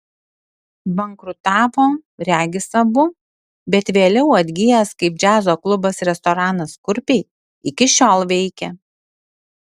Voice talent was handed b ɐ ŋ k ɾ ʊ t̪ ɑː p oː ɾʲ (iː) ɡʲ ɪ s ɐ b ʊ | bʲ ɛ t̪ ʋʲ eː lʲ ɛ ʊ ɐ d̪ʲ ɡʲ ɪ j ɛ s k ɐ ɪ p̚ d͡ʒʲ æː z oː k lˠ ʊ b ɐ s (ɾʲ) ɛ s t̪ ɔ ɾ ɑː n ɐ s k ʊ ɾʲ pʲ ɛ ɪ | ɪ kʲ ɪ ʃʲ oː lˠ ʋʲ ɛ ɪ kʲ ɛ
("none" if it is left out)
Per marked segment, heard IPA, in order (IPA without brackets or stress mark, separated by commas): æː, ɾʲ